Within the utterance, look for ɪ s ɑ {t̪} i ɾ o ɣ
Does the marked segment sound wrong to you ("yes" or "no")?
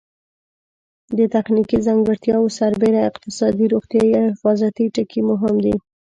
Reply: yes